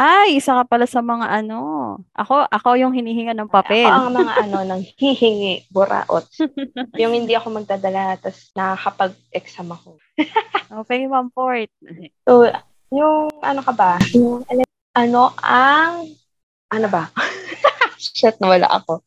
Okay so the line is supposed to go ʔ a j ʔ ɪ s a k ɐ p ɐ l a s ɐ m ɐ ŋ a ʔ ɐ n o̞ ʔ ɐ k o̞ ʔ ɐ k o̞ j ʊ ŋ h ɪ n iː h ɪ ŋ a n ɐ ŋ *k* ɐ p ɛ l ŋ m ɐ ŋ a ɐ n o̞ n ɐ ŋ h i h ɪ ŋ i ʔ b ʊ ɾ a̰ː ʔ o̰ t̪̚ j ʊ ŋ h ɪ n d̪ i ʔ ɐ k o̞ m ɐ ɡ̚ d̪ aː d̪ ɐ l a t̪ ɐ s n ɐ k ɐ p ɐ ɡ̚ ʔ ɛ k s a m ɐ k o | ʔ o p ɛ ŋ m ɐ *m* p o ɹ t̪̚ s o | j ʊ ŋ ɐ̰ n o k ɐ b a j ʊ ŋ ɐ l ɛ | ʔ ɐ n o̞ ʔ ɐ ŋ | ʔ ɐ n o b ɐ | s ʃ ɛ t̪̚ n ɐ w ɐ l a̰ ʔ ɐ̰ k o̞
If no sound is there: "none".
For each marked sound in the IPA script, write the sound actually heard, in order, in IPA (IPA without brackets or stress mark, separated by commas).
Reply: p, m